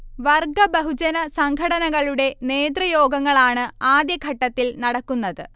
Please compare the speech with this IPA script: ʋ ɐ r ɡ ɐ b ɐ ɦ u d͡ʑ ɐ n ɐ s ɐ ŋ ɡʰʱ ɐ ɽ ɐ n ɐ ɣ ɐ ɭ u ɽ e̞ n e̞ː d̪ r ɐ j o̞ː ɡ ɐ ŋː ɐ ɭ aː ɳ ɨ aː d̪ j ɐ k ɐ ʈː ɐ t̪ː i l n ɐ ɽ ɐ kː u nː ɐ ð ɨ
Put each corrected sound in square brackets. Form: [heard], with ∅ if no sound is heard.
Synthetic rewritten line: ʋ ɐ r ɡ ɐ b ɐ ɦ u d͡ʑ ɐ n ɐ s ɐ ŋ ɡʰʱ ɐ ɽ ɐ n ɐ ɣ ɐ ɭ u ɽ e̞ n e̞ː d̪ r ɐ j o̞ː ɡ ɐ ŋː ɐ ɭ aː ɳ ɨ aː d̪ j ɐ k ɐ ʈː ɐ t̪ː i l n ɐ ɽ ɐ kː u nː ɐ ð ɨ